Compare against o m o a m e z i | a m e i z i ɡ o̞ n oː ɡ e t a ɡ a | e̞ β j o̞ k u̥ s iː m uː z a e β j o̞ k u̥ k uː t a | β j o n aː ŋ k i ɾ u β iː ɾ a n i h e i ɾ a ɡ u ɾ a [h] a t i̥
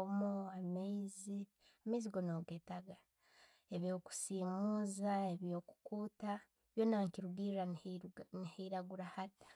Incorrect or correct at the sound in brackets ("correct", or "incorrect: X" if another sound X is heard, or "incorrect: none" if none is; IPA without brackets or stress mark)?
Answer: correct